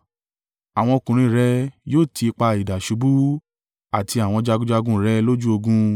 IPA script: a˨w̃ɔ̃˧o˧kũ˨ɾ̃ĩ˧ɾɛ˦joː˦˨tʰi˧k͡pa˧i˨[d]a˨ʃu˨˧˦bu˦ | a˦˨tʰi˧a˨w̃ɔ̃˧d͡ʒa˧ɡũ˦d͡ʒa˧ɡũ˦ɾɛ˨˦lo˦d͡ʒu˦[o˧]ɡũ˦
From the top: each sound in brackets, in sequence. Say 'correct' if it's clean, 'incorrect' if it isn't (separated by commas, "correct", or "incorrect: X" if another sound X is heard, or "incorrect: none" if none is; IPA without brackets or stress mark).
correct, correct